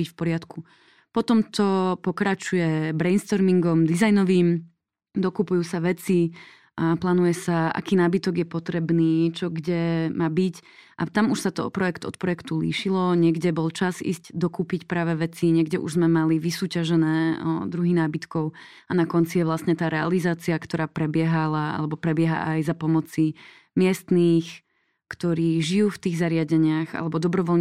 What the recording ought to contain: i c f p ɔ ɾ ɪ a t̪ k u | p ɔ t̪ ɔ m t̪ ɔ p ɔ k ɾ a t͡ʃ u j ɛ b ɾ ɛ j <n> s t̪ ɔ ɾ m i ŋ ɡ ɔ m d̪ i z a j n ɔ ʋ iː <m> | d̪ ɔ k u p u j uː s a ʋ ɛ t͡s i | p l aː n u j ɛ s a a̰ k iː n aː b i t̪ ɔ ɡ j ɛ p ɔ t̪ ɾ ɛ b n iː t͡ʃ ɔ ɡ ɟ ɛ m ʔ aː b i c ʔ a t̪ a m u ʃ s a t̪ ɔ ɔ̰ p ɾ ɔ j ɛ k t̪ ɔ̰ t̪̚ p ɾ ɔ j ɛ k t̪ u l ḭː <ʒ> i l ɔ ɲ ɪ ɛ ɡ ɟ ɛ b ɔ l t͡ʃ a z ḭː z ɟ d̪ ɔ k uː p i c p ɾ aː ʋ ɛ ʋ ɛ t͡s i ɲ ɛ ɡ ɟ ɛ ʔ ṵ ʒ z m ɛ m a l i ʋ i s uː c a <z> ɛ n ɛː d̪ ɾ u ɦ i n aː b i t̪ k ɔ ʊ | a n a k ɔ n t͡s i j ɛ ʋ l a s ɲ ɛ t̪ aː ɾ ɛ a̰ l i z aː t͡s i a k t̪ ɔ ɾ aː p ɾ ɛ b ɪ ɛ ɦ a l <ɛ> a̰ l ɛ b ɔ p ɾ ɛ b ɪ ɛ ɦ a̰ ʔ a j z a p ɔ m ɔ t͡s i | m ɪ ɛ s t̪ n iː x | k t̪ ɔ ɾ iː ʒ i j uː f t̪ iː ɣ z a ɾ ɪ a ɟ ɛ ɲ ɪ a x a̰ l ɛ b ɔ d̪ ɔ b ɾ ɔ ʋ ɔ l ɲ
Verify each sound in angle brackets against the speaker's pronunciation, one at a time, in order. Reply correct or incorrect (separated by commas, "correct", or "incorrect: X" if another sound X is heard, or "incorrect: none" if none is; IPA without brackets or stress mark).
correct, correct, incorrect: ʃ, incorrect: ʒ, incorrect: a